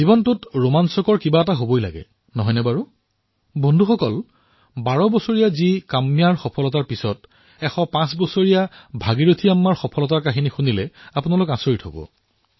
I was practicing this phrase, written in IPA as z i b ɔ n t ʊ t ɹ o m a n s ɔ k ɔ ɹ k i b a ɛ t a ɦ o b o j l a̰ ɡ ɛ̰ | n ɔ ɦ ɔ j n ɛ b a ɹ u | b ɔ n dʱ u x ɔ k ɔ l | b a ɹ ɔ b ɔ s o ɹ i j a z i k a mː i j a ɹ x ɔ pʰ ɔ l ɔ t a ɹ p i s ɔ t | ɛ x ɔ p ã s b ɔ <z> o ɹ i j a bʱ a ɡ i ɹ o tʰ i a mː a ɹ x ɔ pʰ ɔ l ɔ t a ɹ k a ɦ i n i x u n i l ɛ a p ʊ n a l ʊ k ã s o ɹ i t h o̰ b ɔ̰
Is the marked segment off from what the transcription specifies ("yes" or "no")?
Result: yes